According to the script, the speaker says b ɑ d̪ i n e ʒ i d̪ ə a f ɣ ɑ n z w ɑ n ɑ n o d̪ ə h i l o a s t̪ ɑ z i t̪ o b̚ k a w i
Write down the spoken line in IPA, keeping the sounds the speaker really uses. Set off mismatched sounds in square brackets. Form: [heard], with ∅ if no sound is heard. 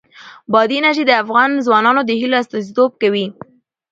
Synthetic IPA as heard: b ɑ d̪ i n [a] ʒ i d̪ ə a f ɣ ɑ n z w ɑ n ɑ n o d̪ ə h i l o a s t̪ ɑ z i t̪ o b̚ k a w i